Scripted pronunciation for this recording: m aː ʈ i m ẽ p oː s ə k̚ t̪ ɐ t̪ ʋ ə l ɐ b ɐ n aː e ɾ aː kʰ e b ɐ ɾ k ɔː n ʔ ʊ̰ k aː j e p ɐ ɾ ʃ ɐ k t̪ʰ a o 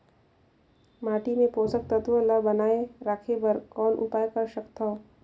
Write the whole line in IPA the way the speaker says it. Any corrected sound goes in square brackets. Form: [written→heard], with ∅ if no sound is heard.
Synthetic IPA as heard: m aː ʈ i m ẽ p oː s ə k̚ t̪ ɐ t̪ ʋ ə l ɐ b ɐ n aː e ɾ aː kʰ e b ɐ ɾ k ɔː n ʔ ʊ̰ [k→p] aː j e [p→k] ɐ ɾ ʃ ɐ k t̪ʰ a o